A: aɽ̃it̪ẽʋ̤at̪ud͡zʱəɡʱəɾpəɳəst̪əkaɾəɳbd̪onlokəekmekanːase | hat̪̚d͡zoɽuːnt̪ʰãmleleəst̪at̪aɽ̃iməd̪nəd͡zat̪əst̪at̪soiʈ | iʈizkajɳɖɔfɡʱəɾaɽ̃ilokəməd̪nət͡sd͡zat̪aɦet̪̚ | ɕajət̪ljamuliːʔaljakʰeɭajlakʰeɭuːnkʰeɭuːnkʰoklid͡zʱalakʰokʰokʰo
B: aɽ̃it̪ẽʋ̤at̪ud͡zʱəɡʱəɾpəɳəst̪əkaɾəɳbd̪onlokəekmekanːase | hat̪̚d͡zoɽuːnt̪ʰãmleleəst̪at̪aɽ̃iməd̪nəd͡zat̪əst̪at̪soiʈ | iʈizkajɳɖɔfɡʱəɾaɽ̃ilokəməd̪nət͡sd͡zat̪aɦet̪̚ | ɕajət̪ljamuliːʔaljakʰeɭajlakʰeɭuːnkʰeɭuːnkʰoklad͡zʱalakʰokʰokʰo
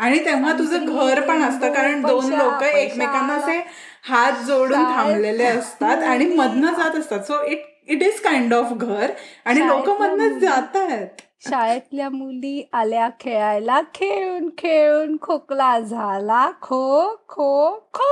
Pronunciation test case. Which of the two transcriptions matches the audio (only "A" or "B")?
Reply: B